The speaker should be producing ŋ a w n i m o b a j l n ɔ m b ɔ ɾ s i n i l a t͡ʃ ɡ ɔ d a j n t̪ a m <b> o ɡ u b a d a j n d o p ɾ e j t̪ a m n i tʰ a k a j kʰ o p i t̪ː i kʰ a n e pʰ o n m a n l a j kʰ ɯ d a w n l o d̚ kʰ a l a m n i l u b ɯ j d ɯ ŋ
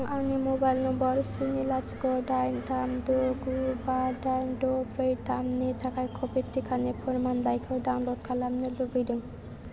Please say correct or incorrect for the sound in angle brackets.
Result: incorrect: d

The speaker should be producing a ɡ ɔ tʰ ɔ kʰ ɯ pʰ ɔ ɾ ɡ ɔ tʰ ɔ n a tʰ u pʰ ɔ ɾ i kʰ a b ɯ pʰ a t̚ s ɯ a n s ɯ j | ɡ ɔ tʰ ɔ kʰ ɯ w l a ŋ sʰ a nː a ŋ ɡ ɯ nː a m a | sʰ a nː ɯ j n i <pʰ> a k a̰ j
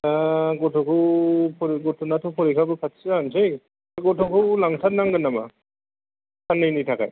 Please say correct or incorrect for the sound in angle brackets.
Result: incorrect: tʰ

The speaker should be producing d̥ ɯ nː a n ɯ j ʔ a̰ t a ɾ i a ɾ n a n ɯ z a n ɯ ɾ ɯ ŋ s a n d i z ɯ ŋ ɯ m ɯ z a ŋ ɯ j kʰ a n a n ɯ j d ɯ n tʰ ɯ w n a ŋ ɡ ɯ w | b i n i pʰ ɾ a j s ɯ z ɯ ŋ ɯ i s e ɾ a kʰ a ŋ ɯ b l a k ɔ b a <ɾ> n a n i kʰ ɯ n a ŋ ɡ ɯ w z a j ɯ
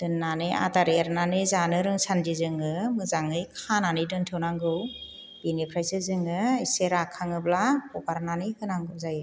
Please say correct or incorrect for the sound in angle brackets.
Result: correct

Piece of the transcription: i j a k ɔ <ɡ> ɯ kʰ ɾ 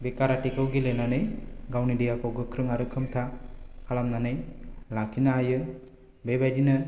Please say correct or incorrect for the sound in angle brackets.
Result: correct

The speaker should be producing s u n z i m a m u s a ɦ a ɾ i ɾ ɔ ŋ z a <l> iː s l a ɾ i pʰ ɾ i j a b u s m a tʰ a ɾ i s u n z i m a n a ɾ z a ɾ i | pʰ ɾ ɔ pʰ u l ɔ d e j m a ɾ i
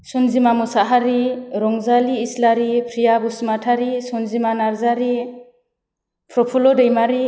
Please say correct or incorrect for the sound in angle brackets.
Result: correct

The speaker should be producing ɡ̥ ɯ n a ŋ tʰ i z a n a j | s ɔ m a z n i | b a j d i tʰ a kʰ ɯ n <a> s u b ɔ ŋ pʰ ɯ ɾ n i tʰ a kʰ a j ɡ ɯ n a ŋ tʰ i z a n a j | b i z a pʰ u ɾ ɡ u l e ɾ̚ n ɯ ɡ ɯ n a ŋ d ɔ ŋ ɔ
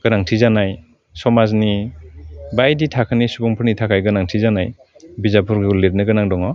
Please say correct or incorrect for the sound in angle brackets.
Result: incorrect: i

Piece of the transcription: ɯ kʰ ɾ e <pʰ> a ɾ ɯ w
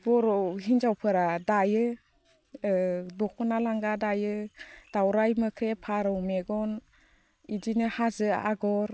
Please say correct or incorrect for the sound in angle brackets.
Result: correct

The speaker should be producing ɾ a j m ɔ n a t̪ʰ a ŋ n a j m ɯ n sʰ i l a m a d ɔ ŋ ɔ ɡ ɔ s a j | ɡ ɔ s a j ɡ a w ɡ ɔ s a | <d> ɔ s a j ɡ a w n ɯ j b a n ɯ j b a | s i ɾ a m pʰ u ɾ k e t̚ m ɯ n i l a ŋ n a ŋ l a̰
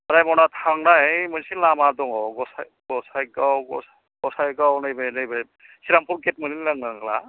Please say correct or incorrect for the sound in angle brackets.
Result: incorrect: ɡ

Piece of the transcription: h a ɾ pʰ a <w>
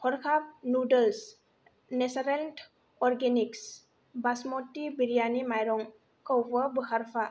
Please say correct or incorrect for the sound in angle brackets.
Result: incorrect: none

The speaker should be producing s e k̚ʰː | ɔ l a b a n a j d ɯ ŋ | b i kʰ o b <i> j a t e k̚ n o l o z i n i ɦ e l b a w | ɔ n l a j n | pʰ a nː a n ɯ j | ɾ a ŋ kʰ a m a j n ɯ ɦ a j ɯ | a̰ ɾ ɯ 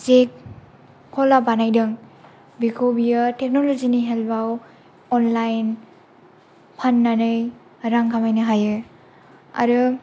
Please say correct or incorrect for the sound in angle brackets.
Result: correct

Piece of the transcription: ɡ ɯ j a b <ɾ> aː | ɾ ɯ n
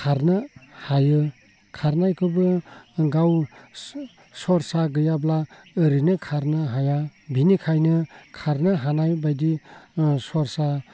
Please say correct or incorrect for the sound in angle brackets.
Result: incorrect: l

